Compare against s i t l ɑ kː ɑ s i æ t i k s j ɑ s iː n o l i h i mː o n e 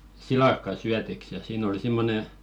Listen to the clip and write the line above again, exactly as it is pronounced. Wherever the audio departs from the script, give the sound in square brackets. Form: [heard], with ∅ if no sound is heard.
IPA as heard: s i [∅] l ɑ kː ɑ s [y] æ t i k s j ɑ s iː n o l i [s] i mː o n e